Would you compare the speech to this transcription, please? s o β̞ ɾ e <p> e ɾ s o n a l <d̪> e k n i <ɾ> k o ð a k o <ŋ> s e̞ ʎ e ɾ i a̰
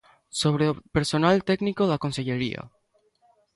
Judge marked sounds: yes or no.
yes, no, no, no

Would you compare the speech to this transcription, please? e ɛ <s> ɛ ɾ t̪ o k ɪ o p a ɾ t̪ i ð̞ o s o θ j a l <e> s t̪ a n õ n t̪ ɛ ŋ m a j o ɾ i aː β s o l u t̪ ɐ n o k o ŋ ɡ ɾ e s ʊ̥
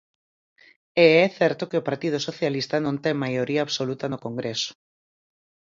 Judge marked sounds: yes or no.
no, no

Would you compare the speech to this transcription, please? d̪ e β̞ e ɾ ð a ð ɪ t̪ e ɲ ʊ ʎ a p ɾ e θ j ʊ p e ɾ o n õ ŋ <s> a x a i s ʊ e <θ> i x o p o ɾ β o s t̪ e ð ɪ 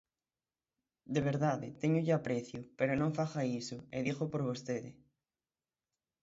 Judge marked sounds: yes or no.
no, no

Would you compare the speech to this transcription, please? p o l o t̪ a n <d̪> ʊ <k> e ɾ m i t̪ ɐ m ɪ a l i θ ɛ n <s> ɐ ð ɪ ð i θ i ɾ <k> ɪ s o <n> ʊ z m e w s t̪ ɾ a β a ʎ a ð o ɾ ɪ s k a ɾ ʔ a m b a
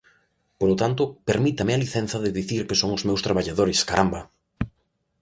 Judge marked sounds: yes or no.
no, no, no, yes, no

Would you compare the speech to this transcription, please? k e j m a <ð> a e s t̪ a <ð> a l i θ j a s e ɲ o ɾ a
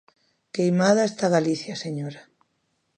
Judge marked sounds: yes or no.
yes, no

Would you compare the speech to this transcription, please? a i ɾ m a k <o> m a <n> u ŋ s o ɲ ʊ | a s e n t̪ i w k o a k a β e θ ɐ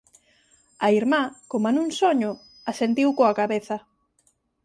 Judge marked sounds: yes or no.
yes, yes

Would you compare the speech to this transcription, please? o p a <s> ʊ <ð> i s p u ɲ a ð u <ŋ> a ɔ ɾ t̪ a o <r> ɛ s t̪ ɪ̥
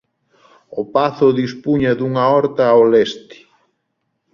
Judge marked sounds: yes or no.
no, yes, yes, no

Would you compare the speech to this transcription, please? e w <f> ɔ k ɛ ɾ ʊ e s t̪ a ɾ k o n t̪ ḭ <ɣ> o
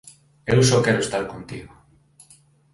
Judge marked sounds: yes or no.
no, yes

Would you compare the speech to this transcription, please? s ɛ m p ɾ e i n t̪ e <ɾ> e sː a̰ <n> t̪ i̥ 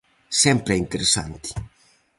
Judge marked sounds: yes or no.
yes, yes

